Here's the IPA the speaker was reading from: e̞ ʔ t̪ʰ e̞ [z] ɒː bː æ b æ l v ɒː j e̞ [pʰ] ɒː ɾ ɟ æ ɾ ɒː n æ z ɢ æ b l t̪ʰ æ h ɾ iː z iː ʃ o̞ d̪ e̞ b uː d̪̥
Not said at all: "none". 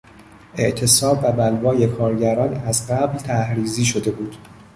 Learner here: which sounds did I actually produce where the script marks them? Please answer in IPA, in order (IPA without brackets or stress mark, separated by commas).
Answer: s, kʰ